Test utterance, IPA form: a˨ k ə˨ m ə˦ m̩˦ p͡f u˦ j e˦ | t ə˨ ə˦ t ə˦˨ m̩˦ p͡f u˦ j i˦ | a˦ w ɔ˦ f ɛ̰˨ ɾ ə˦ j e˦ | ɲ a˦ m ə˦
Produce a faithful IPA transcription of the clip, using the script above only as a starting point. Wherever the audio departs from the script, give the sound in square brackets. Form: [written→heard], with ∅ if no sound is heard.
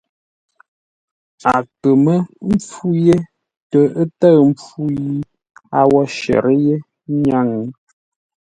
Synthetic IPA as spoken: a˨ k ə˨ m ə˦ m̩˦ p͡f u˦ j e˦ | t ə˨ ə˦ t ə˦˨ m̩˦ p͡f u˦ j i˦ | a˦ w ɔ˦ [f→ʃ] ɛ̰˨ ɾ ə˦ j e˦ | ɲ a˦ [m→ŋ] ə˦